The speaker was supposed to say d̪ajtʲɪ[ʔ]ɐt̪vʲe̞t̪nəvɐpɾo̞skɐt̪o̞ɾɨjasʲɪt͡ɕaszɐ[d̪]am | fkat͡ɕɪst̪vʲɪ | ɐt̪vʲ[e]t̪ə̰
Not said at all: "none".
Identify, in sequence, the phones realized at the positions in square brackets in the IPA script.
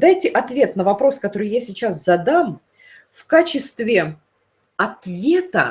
ʔ, d̪, e

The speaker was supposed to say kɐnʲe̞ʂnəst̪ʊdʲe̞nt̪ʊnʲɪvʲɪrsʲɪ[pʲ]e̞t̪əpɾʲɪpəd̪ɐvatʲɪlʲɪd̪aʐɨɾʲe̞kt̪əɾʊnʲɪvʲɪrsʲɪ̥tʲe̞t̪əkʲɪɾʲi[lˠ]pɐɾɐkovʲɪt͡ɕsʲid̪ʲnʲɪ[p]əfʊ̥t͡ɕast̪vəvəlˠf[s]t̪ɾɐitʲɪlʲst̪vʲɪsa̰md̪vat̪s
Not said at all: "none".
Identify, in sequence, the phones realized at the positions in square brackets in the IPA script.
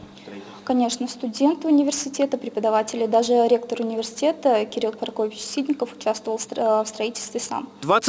tʲ, lˠ, k, s

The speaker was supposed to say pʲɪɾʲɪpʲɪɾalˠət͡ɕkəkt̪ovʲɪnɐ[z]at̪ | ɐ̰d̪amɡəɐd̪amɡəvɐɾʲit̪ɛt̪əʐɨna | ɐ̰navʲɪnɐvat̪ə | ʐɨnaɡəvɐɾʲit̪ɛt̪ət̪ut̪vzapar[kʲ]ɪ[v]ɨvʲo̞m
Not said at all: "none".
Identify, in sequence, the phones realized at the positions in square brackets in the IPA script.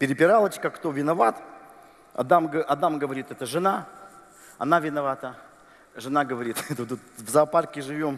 v, kʲ, ʐ

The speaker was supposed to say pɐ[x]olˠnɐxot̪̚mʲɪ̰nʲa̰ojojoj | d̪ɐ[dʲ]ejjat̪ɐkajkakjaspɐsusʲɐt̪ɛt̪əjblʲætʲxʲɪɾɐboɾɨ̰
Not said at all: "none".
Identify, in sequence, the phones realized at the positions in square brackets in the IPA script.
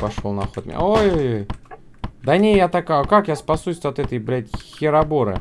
ʂ, nʲ

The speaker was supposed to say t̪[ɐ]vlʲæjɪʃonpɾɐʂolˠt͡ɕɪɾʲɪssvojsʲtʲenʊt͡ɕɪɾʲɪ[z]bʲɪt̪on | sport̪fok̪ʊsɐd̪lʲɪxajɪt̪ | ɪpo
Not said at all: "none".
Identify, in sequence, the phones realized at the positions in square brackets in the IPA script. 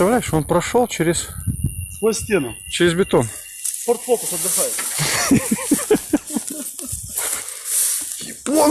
ɐ, z

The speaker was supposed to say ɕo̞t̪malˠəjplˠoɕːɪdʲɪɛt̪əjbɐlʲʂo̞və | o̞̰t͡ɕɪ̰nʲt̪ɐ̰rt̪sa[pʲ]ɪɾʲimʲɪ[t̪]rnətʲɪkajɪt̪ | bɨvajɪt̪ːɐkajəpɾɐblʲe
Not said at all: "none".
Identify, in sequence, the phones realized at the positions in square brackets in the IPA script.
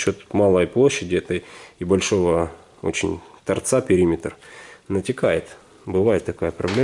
pʲ, t̪

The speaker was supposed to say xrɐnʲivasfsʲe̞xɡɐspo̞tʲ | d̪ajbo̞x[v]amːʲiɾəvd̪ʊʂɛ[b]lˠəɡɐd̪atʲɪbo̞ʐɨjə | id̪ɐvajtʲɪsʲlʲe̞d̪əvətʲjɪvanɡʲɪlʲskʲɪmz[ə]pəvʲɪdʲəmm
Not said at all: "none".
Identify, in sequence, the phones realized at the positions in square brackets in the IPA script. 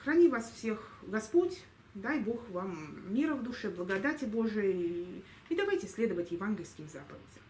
v, b, a

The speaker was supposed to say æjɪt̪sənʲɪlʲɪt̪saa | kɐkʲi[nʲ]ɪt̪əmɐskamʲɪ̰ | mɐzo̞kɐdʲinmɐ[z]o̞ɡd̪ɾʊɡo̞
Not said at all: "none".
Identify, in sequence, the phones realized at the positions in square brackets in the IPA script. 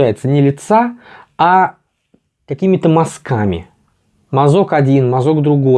mʲ, z

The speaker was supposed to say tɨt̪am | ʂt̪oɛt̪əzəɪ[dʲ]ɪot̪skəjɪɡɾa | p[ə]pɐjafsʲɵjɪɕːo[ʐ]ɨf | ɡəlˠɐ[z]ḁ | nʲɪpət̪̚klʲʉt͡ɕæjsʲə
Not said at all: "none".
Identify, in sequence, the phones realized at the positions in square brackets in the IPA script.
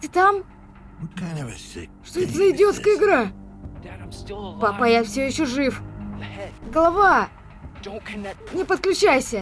dʲ, a, ʐ, v

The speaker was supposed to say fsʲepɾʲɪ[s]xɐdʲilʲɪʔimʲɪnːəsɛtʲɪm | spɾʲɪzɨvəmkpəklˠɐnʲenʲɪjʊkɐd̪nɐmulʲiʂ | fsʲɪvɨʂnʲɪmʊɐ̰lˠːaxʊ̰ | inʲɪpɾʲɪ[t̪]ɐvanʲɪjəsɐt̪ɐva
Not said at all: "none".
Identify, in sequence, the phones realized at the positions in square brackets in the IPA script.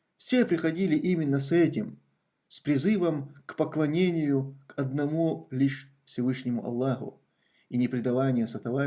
none, d̪

